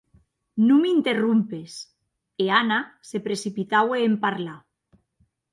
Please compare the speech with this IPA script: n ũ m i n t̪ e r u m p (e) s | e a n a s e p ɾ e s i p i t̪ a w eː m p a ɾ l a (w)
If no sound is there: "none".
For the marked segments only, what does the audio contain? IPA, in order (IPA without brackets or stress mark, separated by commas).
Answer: e, none